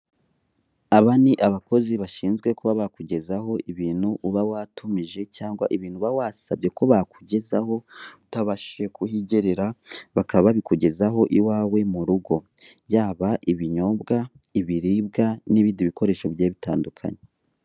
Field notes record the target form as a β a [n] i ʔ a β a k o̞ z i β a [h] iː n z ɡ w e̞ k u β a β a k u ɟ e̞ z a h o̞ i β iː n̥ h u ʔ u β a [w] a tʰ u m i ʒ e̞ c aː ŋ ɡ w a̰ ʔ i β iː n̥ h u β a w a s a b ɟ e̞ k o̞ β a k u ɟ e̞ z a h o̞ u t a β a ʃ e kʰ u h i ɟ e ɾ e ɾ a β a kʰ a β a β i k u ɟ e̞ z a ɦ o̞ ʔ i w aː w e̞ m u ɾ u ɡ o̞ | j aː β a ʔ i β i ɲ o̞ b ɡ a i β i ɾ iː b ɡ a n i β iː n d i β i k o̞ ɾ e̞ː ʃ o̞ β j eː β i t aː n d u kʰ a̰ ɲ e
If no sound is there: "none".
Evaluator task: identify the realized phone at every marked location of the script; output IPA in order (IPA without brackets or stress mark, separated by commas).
n, ʃ, w